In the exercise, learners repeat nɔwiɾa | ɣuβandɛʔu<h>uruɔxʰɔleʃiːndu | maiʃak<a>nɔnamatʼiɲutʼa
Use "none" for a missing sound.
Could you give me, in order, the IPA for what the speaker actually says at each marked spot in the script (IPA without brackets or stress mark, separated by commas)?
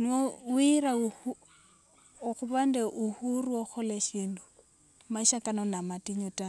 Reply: h, a